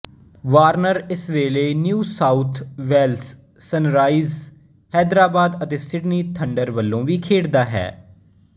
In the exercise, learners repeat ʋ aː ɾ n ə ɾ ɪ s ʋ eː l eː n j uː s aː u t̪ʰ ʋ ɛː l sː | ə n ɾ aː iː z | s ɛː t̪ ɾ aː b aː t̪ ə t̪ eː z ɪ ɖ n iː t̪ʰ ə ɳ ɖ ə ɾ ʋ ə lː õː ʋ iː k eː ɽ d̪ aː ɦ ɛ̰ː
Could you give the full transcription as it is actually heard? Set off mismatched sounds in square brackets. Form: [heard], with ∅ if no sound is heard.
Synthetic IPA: ʋ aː ɾ n ə ɾ ɪ s ʋ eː l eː n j uː s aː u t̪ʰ ʋ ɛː l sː | ə n ɾ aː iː z | [h] ɛː [d̪] ɾ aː b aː [d̪] ə t̪ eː [s] ɪ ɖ n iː t̪ʰ ə ɳ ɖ ə ɾ ʋ ə lː õː ʋ iː [kʰ] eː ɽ d̪ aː ɦ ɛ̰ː